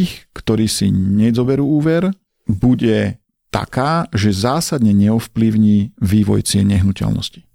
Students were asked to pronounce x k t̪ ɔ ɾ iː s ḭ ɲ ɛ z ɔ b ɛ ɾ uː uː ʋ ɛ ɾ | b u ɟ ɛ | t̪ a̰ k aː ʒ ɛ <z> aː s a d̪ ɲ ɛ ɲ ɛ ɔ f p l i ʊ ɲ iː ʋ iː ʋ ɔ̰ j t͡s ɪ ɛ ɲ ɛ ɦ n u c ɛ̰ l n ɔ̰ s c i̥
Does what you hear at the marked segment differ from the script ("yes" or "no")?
no